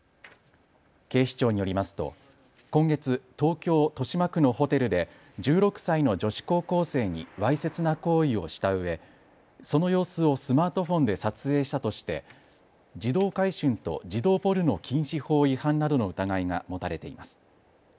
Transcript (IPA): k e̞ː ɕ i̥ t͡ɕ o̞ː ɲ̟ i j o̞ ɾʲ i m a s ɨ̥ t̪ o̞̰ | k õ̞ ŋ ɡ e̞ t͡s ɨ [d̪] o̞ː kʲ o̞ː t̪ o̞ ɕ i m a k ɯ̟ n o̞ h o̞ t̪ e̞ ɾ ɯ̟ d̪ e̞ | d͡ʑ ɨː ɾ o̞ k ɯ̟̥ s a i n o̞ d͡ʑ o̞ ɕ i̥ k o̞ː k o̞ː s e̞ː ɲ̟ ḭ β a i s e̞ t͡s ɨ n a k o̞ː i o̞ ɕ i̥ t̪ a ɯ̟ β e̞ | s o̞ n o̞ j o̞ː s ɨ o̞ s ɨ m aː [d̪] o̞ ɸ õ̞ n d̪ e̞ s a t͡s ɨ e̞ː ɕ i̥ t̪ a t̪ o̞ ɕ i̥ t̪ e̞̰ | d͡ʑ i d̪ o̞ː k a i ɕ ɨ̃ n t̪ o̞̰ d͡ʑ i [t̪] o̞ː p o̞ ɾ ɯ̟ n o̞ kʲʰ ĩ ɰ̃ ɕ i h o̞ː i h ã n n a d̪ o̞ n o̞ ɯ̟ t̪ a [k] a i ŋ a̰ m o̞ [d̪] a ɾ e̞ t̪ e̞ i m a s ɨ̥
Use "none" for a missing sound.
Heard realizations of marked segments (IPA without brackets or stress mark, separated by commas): t̪, t̪, d̪, ɡ, t̪